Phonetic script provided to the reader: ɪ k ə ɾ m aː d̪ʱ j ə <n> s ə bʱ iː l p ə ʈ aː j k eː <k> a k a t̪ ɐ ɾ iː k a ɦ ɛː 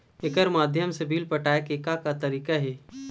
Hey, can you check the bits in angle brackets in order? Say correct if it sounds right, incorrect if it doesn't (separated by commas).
incorrect, correct